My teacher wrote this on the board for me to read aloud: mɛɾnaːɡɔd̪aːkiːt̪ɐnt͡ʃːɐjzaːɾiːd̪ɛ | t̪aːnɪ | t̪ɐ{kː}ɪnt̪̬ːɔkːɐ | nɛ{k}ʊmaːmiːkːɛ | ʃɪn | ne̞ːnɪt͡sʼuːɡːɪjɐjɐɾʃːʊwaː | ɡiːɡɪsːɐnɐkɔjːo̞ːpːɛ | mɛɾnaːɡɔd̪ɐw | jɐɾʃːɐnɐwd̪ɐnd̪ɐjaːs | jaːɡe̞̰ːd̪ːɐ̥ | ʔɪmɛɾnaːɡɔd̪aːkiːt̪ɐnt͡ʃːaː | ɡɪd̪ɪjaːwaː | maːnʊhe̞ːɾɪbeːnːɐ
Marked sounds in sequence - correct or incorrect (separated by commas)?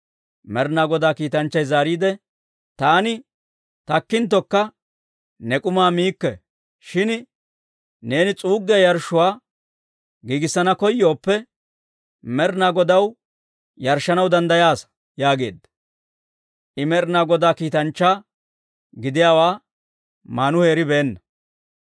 correct, incorrect